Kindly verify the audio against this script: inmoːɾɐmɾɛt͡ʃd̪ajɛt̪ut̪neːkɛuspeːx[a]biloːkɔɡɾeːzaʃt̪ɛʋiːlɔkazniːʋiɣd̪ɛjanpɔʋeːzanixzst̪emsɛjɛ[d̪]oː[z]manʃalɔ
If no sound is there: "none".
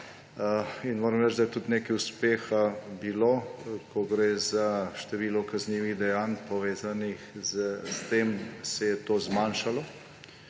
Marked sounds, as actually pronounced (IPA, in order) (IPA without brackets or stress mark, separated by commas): a, t̪, z